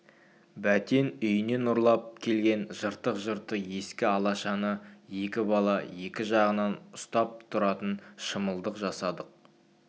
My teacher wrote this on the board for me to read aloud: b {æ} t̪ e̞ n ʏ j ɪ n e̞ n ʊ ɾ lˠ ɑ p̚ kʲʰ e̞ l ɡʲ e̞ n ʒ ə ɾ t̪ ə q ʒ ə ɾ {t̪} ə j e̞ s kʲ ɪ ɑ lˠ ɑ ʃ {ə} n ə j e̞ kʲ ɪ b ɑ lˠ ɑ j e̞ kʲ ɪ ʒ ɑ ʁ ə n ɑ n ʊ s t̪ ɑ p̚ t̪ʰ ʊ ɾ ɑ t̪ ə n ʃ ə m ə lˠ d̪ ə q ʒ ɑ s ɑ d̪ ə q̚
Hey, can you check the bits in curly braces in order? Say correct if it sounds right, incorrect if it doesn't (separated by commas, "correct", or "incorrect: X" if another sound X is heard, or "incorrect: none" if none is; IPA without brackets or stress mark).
correct, correct, incorrect: ɑ